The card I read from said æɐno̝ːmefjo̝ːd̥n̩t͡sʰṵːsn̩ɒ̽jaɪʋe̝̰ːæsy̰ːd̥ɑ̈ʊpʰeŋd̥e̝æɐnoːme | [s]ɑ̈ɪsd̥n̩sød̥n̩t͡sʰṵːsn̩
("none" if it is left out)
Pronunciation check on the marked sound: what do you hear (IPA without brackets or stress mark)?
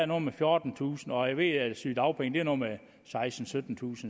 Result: s